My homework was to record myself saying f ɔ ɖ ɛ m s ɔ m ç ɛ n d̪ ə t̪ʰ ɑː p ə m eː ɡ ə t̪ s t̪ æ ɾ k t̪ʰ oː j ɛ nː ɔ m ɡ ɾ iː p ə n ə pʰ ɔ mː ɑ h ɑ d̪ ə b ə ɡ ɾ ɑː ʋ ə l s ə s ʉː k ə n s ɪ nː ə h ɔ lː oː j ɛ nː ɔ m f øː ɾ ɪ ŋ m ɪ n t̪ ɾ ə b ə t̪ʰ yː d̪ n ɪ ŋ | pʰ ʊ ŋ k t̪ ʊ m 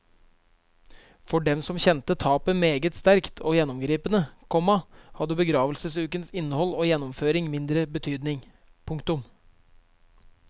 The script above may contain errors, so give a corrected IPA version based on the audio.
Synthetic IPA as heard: f ɔ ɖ ɛ m s ɔ m ç ɛ n t̪ ə t̪ʰ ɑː p ə m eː ɡ ə t̪ s t̪ æ ɾ k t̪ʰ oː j ɛ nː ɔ m ɡ ɾ iː p ə n ə kʰ ɔ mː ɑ h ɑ d̪ ə b ə ɡ ɾ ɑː ʋ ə l s ə s ʉː k ə n s ɪ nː ə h ɔ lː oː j ɛ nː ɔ m f øː ɾ ɪ ŋ m ɪ n d̪ ɾ ə b ə t̪ʰ yː d̪ n ɪ ŋ | pʰ ʊ ŋ k t̪ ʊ m